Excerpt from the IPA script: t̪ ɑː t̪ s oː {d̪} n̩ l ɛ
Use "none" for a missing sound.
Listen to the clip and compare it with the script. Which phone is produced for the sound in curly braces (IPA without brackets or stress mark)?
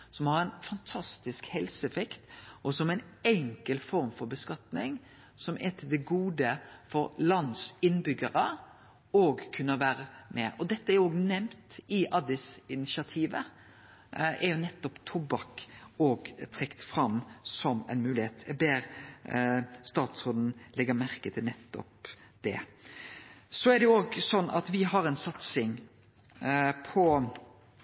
d̪